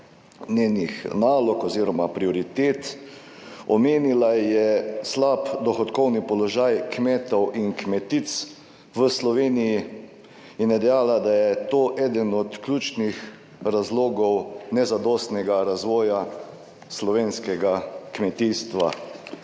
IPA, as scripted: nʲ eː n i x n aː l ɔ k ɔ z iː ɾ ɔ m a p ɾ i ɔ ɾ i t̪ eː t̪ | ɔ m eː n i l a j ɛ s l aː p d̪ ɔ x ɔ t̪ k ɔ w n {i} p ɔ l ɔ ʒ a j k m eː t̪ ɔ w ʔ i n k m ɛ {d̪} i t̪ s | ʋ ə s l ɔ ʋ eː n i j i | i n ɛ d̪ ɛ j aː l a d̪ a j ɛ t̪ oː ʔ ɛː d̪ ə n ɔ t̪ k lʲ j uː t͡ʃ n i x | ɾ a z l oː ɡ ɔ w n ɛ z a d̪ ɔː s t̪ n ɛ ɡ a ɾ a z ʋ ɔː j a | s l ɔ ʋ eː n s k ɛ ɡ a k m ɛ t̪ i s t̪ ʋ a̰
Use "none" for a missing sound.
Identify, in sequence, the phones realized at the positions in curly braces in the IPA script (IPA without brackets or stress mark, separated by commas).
i, t̪